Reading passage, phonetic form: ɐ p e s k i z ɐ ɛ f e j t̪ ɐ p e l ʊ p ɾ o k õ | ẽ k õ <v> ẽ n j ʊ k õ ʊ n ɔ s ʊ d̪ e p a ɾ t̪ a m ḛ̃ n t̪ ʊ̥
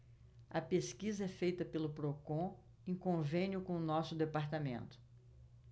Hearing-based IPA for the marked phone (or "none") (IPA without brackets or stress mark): v